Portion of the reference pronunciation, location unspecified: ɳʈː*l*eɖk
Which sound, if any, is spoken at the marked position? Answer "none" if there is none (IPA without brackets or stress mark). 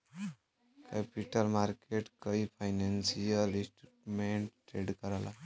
ɾ